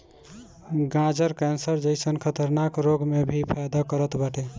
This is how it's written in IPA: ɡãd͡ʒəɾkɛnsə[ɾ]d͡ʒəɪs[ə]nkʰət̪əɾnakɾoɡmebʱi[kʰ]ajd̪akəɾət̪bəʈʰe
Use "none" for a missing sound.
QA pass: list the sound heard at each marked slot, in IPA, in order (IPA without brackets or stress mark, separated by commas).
ɾ, ə, pʰ